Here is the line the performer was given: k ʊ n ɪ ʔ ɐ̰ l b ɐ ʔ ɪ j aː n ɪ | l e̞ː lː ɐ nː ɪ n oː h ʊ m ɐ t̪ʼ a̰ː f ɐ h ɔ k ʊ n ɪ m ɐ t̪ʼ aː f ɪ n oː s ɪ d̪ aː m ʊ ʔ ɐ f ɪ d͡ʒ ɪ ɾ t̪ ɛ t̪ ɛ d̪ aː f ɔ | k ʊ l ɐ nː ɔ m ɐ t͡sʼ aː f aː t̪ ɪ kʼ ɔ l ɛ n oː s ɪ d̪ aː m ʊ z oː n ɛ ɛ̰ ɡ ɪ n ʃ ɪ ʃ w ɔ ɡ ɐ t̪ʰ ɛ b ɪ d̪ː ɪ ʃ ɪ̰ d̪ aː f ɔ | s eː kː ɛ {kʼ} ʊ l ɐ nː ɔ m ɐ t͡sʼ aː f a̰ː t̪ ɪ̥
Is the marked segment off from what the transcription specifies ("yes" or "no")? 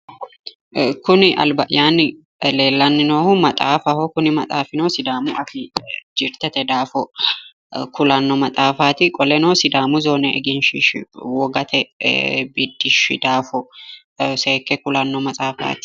yes